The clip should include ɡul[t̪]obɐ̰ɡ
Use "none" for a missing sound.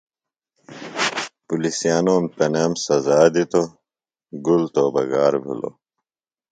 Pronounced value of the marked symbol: t̪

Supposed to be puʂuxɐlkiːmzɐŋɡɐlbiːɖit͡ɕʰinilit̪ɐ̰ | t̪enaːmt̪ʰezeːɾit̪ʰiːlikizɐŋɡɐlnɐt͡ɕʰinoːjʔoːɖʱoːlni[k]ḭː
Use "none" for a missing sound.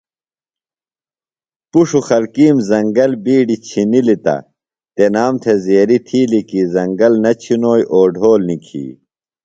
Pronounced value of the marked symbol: kʰ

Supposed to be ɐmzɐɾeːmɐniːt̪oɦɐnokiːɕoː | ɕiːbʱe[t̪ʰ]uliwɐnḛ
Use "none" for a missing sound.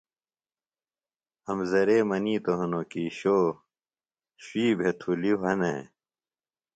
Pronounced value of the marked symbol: t̪ʰ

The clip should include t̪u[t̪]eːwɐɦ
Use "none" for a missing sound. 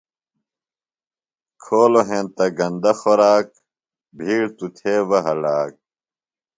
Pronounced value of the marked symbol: t̪ʰ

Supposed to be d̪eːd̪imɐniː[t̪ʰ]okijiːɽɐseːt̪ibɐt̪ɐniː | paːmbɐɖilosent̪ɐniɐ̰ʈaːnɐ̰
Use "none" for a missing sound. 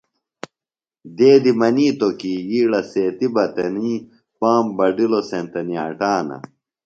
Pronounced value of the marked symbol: t̪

